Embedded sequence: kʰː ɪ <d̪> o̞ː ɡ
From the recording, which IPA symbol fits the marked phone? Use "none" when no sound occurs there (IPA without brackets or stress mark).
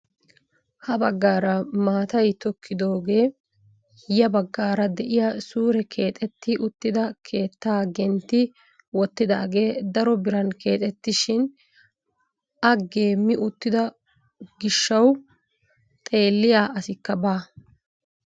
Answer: d̪